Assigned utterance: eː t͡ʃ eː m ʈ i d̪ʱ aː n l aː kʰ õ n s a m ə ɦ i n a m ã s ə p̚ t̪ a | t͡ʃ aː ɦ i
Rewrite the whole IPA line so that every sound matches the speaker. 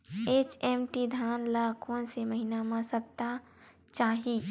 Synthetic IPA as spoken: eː t͡ʃ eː m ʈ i d̪ʱ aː n l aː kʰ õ n s e m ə ɦ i n a m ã s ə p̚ t̪ a | t͡ʃ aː ɦ i